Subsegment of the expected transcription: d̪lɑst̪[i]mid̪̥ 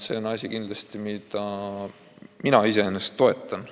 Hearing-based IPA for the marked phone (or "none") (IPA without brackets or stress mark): i